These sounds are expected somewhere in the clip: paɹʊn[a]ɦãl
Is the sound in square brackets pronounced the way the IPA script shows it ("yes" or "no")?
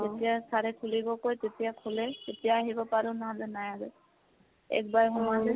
yes